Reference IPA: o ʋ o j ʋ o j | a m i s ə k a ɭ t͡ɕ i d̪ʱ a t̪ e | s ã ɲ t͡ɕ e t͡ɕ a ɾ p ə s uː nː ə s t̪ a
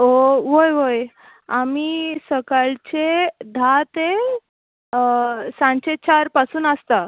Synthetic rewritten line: o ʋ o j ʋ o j | a m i s ə k a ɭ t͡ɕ e d̪ʱ a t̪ e | s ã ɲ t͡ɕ e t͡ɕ a ɾ p a s uː n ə s t̪ a